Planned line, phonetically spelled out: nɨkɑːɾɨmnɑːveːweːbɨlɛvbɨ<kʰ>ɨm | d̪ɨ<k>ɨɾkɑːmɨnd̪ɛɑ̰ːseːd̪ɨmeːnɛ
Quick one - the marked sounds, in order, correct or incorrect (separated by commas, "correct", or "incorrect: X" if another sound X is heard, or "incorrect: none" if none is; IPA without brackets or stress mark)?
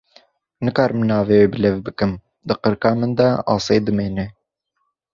incorrect: k, incorrect: q